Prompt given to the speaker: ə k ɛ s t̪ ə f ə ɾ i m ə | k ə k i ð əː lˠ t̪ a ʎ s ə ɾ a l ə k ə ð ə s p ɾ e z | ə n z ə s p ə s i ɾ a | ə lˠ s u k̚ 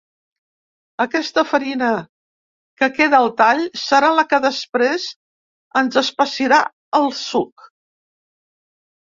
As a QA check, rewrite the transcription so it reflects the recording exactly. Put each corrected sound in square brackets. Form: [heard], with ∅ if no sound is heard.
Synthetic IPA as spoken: ə k ɛ s t̪ ə f ə ɾ i [n] ə | k ə k [e] ð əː lˠ t̪ a ʎ s ə ɾ a l ə k ə ð ə s p ɾ e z | ə n z ə s p ə s i ɾ a | ə lˠ s u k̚